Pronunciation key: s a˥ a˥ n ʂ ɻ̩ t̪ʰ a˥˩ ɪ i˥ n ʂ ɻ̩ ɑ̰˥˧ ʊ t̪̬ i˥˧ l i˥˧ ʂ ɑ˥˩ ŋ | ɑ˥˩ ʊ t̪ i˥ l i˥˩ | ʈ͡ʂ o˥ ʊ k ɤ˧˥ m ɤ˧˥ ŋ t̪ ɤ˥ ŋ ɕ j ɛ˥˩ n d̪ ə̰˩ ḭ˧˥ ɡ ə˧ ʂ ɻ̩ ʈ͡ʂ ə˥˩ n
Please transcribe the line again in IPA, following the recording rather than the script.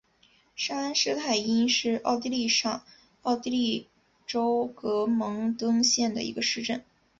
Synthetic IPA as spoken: ʂ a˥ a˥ n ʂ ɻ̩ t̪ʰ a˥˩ ɪ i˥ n ʂ ɻ̩ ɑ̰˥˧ ʊ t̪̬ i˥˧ l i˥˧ ʂ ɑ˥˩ ŋ | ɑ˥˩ ʊ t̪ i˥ l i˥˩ | ʈ͡ʂ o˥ ʊ k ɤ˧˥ m ɤ˧˥ ŋ t̪ ɤ˥ ŋ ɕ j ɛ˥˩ n d̪ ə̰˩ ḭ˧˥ ɡ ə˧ ʂ ɻ̩ ʈ͡ʂ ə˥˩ n

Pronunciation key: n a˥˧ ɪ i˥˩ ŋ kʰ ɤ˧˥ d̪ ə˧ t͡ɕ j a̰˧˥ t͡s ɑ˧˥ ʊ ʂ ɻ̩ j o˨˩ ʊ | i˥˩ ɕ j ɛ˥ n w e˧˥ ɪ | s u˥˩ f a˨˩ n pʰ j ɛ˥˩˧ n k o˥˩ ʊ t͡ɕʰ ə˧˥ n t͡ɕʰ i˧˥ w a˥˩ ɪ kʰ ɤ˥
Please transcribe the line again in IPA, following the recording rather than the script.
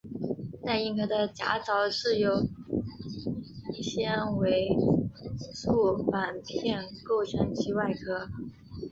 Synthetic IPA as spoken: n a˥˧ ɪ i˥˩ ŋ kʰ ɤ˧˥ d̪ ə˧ t͡ɕ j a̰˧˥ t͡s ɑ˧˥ ʊ ʂ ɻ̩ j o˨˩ ʊ | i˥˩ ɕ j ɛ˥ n w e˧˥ ɪ | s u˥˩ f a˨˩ n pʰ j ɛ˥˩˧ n k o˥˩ ʊ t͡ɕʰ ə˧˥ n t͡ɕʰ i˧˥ w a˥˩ ɪ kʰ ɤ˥

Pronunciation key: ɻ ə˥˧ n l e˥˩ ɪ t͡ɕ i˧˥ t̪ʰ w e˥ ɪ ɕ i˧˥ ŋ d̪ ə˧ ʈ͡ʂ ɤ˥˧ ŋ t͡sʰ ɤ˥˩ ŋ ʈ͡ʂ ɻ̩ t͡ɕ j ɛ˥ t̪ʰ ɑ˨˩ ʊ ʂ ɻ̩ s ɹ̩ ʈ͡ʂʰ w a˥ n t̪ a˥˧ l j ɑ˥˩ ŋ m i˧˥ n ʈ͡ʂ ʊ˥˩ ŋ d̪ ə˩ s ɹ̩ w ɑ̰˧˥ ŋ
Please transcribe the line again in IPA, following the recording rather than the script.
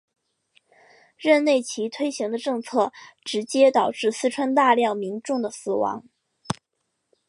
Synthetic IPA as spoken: ɻ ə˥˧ n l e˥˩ ɪ t͡ɕʰ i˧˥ t̪ʰ w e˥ ɪ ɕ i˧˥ ŋ d̪ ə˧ ʈ͡ʂ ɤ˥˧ ŋ t͡sʰ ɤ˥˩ ʈ͡ʂ ɻ̩ t͡ɕ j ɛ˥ t̪ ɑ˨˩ ʊ ʈ͡ʂ ɻ̩ s ɹ̩ ʈ͡ʂʰ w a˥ n t̪ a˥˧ l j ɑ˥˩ ŋ m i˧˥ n ʈ͡ʂ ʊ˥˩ ŋ d̪ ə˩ s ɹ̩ w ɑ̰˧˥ ŋ

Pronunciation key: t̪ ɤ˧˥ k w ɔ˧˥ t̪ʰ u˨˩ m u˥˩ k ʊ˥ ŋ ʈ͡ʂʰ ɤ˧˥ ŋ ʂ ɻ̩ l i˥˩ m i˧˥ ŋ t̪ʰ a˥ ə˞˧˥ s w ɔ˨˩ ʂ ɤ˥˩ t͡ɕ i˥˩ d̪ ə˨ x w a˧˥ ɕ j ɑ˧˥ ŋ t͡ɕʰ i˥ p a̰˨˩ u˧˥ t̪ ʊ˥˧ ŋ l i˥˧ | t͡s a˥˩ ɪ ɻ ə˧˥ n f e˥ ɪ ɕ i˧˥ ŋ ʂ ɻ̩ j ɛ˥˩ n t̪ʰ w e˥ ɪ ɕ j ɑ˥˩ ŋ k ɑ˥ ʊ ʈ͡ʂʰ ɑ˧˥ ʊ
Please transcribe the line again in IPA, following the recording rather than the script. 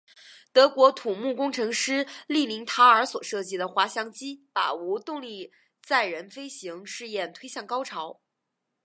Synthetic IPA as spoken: t̪ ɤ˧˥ k w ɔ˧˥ t̪ʰ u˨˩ m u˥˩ k ʊ˥ ŋ ʈ͡ʂʰ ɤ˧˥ ŋ ʂ ɻ̩ l i˥˩ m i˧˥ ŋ t̪ʰ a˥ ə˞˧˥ s w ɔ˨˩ ʂ ɤ˥˩ t͡ɕ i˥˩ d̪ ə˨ x w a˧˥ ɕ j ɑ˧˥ ŋ t͡ɕ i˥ p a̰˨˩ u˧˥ t̪ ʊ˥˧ ŋ l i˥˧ | t͡s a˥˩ ɪ ɻ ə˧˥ n f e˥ ɪ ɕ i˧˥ ŋ ʂ ɻ̩ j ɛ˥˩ n t̪ʰ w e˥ ɪ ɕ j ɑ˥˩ ŋ k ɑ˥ ʊ ʈ͡ʂʰ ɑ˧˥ ʊ

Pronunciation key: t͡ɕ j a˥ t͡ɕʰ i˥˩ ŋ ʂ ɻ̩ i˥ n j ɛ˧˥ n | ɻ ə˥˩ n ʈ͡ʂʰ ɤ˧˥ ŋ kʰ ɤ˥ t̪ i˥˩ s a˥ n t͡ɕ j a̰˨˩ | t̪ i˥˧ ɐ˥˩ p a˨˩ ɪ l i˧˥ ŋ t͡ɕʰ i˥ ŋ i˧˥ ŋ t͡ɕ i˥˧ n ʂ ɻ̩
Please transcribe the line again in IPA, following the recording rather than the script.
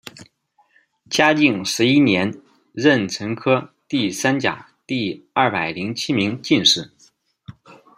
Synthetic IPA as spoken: t͡ɕ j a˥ t͡ɕ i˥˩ ŋ ʂ ɻ̩ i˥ n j ɛ˧˥ n | ɻ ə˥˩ n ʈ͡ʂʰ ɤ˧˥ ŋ kʰ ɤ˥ t̪ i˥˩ s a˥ n t͡ɕ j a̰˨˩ | t̪ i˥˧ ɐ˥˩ p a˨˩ ɪ l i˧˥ ŋ t͡ɕʰ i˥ m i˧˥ ŋ t͡ɕ i˥˧ n ʂ ɻ̩

